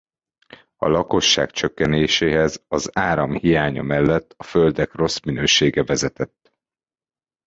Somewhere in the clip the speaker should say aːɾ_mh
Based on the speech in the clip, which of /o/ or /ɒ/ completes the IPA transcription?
ɒ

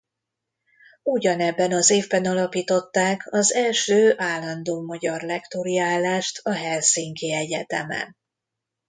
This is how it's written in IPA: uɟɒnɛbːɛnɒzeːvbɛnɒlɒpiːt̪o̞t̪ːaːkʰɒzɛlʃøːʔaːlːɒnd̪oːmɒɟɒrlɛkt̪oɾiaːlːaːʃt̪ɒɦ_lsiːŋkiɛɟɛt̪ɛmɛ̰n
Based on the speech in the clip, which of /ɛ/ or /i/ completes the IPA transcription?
ɛ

